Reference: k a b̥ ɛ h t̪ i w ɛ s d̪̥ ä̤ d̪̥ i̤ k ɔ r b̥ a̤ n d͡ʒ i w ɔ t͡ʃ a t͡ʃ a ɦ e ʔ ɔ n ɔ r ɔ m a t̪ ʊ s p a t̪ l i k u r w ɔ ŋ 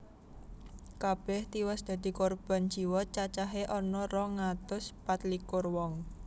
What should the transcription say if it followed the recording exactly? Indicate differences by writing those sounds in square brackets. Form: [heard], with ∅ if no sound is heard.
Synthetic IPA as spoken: k a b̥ ɛ h t̪ i w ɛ s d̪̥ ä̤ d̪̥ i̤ k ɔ r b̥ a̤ n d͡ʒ i w ɔ t͡ʃ a t͡ʃ a ɦ e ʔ ɔ n ɔ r ɔ [ŋ] a t̪ ʊ s p a t̪ l i k [ʊ] r w ɔ ŋ